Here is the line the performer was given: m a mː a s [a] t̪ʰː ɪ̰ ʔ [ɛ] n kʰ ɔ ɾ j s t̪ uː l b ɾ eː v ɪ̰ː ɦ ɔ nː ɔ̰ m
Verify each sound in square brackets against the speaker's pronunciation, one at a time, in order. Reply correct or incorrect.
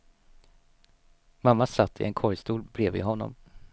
correct, correct

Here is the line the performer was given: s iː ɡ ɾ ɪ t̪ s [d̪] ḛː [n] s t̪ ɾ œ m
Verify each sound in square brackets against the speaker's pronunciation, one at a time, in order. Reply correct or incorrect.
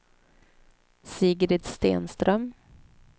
incorrect: t̪, correct

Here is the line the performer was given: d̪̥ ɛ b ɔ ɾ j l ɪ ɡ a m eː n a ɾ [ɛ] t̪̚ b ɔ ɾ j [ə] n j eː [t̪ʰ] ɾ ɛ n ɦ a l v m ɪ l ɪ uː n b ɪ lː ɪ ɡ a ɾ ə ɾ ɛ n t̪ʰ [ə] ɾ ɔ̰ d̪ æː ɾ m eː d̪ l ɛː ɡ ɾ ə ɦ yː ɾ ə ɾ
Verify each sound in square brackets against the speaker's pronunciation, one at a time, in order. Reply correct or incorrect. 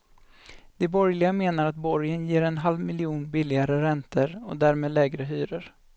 incorrect: a, correct, incorrect: none, correct

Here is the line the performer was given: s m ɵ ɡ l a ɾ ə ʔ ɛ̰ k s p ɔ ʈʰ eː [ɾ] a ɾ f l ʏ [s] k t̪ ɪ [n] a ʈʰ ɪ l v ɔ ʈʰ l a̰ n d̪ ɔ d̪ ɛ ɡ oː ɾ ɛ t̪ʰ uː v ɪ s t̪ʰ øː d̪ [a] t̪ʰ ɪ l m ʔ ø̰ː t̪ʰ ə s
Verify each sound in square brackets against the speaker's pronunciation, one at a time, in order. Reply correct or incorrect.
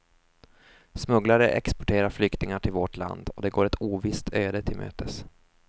correct, incorrect: none, incorrect: ŋ, incorrect: ə

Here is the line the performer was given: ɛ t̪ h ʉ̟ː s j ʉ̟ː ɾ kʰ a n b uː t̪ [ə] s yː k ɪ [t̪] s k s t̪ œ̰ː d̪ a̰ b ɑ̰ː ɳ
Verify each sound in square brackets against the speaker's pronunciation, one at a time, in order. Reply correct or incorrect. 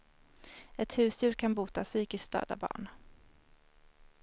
incorrect: a, incorrect: none

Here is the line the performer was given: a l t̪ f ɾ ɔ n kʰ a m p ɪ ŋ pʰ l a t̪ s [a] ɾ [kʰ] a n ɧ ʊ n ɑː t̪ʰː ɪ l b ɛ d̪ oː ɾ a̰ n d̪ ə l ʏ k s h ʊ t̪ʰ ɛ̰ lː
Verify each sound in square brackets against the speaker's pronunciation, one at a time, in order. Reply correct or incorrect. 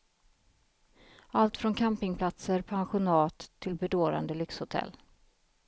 incorrect: ə, incorrect: pʰ

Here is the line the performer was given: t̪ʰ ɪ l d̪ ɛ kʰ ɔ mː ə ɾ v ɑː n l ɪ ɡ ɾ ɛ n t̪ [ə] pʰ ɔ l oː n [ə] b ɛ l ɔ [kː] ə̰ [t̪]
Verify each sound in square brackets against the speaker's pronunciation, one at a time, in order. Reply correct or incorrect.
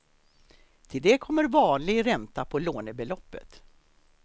incorrect: a, correct, incorrect: pː, correct

